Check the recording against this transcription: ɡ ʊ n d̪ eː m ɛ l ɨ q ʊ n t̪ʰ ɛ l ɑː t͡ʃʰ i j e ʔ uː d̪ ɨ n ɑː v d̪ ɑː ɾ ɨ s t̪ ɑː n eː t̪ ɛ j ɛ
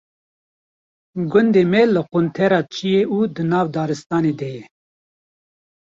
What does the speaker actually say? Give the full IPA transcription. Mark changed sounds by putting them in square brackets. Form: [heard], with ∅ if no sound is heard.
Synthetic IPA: ɡ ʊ n d̪ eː m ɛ l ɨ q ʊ n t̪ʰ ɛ [ɾ] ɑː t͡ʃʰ i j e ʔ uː d̪ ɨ n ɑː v d̪ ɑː ɾ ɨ s t̪ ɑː n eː [d̪] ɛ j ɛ